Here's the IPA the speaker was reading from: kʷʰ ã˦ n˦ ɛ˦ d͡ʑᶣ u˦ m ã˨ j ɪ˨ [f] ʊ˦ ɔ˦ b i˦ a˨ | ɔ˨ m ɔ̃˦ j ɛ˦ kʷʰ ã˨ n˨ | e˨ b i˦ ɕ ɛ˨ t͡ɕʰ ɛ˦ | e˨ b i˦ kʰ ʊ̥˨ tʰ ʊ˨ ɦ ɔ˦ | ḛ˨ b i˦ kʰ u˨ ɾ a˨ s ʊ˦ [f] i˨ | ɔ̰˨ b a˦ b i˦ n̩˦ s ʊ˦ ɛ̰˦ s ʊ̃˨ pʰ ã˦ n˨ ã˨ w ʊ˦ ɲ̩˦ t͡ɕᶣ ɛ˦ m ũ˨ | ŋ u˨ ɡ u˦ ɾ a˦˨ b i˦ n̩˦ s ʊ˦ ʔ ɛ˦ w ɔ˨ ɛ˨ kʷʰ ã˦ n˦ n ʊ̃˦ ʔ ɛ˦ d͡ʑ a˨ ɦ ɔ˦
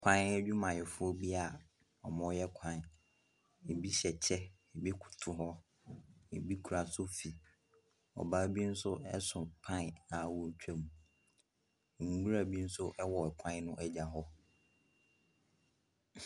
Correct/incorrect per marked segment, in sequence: correct, correct

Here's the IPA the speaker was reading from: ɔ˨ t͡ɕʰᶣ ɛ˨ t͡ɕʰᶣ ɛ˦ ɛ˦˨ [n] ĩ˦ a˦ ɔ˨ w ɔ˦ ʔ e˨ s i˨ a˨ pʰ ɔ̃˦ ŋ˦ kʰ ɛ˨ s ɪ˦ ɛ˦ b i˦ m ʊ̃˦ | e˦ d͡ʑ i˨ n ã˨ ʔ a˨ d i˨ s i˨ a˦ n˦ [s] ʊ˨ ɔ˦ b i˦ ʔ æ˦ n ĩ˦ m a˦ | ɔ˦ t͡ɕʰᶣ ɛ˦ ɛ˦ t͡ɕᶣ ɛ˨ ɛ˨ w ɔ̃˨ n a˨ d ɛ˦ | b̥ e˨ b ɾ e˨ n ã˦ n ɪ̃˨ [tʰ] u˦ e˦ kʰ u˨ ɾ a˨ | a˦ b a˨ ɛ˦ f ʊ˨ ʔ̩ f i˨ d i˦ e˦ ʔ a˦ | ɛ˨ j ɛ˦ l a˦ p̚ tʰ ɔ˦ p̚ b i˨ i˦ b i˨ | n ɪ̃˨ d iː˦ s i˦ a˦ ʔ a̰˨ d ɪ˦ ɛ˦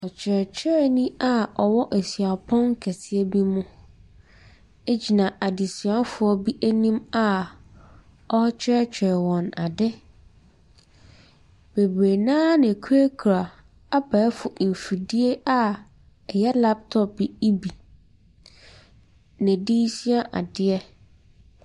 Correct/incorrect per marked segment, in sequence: correct, incorrect, incorrect

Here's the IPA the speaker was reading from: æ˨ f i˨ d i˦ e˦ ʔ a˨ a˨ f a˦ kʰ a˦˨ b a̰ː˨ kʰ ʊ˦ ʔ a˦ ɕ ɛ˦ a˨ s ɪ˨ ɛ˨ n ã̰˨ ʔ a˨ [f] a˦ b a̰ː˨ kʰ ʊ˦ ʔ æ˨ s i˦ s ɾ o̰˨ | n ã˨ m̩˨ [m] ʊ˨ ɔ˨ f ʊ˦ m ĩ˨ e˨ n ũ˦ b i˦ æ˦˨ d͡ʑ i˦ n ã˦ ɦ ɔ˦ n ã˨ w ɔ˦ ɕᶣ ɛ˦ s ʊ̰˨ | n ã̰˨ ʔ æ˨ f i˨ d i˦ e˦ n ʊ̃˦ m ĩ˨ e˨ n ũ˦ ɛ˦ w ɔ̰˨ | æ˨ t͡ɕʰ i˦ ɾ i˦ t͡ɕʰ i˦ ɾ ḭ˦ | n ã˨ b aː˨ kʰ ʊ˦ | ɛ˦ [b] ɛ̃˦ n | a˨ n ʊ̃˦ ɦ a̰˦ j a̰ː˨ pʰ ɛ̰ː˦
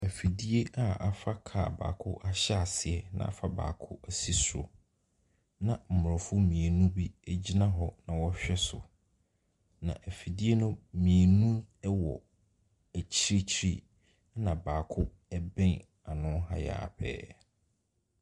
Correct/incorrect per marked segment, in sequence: correct, correct, correct

